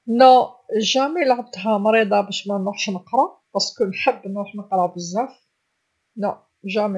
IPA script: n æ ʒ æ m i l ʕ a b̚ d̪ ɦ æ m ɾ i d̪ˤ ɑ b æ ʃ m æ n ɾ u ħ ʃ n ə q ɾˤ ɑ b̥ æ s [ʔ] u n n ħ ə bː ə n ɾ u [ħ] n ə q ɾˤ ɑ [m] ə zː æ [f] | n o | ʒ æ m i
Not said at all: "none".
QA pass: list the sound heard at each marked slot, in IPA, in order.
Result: k, ħ, b, f

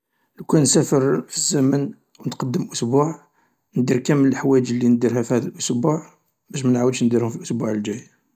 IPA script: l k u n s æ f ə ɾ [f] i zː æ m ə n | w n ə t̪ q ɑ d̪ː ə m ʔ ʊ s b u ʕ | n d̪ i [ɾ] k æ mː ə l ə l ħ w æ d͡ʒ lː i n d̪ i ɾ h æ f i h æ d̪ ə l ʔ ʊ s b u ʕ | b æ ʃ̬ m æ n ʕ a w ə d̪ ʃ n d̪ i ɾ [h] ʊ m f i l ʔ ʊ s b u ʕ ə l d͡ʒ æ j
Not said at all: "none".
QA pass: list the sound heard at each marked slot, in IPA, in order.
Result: f, ɾ, h

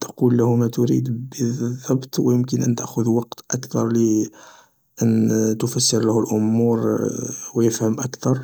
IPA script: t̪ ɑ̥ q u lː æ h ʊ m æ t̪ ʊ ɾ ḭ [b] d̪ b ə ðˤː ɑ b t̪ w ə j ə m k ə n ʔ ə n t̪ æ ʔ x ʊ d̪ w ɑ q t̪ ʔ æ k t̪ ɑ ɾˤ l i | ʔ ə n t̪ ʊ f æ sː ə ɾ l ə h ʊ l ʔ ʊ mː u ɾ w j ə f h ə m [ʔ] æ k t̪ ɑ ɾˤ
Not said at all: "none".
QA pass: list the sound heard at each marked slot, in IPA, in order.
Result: none, ʔ

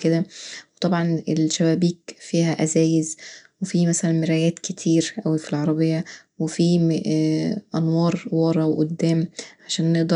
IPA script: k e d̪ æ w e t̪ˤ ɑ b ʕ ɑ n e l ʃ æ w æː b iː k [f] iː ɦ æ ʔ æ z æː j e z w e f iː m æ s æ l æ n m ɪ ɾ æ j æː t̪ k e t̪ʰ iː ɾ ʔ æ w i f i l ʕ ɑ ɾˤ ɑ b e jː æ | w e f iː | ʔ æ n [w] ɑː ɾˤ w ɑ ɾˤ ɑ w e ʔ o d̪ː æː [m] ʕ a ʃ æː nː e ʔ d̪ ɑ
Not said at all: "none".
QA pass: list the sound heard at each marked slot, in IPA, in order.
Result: f, w, m

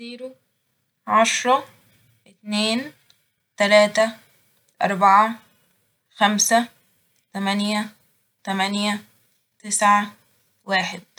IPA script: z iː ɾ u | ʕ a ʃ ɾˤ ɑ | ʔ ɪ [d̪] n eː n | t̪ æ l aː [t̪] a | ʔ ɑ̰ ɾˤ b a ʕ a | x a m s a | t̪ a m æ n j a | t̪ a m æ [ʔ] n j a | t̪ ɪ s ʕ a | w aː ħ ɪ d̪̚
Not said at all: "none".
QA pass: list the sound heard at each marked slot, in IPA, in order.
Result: t̪, t̪, none

